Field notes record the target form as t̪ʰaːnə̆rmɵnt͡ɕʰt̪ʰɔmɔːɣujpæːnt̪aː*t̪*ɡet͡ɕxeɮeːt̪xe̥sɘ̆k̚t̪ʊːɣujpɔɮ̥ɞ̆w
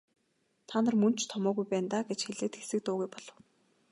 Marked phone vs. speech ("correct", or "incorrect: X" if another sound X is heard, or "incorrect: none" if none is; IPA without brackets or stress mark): incorrect: none